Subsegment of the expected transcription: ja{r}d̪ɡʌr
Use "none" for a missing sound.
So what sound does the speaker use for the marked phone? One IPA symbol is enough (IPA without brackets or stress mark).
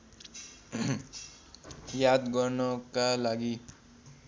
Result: none